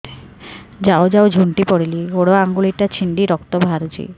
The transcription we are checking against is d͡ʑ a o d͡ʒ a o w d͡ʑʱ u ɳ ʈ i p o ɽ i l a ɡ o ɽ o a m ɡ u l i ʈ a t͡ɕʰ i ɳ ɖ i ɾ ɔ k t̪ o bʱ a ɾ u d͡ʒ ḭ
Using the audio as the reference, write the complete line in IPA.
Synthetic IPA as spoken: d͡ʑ a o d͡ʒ a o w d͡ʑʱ u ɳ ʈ i p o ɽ i l i ɡ o ɽ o a ŋ ɡ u l i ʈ a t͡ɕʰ i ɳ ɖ i ɾ ɔ k t̪ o bʱ a ɾ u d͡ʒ ḭ